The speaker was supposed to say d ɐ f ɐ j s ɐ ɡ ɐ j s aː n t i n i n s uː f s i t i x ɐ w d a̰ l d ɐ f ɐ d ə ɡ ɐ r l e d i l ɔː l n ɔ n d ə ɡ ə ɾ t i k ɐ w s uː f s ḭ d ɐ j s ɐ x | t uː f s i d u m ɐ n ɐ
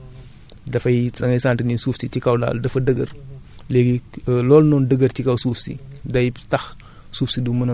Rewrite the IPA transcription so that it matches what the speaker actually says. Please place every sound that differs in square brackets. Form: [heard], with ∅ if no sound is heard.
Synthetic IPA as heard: d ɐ f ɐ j s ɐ [ŋ] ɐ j s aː n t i n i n s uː f s i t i [k] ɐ w d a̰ l d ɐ f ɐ d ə ɡ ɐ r l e [ɡ] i l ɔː l n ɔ n d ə ɡ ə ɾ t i k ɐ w s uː f s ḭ d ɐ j [t] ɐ x | [s] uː f s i d u m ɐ n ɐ